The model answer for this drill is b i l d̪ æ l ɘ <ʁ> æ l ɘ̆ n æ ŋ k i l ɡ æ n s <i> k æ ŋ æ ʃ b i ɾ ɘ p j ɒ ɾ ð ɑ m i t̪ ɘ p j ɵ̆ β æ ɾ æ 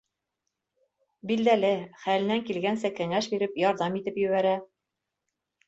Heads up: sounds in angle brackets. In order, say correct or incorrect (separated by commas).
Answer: incorrect, incorrect